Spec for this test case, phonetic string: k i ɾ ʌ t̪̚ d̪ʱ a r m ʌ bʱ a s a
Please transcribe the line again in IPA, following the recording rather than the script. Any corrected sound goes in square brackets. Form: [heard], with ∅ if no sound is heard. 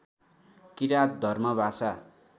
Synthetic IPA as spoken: k i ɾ [a] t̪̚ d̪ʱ [ʌ] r m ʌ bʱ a s a